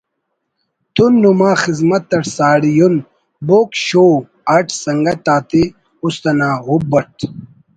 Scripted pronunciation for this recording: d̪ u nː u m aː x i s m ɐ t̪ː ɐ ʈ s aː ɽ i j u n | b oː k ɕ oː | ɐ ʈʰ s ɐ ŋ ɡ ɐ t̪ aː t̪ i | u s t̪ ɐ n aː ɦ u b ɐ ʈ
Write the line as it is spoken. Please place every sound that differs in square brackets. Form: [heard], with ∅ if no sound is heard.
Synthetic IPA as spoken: [t̪] u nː u m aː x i [z] m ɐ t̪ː ɐ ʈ s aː ɽ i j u n | b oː k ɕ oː | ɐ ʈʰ s ɐ ŋ ɡ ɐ t̪ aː t̪ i | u s t̪ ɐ n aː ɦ u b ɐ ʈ